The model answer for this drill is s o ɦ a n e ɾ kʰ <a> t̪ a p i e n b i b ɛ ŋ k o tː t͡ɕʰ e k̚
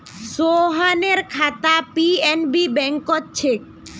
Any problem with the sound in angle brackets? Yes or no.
no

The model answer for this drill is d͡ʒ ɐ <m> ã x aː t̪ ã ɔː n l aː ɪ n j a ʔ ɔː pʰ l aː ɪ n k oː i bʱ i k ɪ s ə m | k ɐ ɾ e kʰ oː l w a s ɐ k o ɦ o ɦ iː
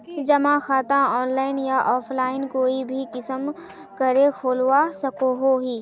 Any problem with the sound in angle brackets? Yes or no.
no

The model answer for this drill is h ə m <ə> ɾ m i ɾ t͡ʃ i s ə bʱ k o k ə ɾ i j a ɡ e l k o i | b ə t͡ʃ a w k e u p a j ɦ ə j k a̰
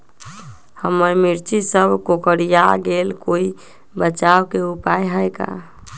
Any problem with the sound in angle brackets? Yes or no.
no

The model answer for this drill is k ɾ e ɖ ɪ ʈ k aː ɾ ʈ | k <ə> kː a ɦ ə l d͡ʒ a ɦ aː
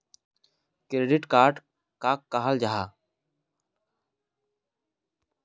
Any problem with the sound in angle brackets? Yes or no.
yes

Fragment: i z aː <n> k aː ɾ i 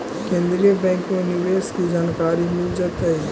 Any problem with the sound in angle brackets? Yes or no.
no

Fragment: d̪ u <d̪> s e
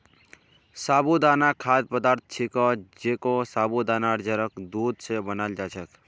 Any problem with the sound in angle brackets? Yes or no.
no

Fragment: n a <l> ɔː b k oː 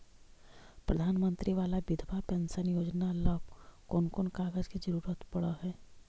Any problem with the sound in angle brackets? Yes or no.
no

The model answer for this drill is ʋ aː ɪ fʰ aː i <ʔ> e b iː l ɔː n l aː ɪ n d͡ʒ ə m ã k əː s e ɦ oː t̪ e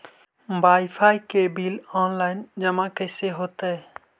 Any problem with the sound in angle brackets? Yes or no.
yes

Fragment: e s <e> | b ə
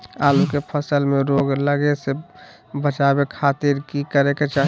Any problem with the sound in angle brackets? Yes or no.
no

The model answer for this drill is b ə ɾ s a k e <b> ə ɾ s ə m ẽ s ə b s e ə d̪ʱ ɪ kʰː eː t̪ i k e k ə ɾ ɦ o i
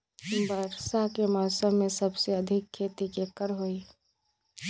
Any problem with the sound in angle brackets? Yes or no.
yes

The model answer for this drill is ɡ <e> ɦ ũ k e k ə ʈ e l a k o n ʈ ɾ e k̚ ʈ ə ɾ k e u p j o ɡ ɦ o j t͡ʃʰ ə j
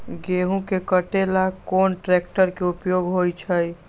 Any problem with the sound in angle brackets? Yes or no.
no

